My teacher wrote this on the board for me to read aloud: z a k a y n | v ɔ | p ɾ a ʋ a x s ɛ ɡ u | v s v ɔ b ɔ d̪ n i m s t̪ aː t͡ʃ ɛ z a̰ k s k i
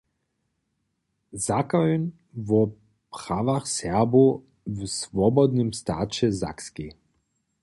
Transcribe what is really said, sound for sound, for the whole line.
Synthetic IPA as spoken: z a k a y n | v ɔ | p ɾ a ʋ a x s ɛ b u | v s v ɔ b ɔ d̪ n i m s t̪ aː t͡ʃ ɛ z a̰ k s k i